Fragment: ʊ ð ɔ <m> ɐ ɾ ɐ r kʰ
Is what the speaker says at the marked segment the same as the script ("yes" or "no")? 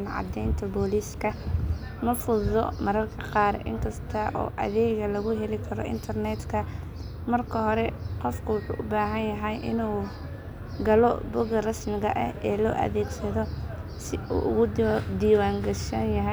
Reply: yes